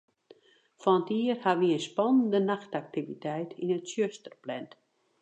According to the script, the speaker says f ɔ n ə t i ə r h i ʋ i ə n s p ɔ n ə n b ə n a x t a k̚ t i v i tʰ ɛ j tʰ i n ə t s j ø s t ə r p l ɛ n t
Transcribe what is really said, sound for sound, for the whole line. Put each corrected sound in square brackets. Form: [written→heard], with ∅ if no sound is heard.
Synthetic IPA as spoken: f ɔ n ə t i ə r h [i→a] ʋ i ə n s p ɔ n ə n [b→d] ə n a x t a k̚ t i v i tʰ ɛ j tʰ i n ə t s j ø s t ə r p l ɛ n t